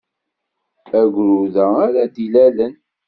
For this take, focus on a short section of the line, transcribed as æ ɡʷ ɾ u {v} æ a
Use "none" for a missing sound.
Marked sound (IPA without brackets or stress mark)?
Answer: ð